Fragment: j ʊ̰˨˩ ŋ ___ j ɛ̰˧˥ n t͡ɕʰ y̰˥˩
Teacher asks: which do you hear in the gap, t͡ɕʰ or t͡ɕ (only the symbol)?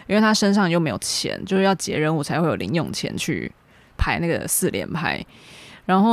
t͡ɕʰ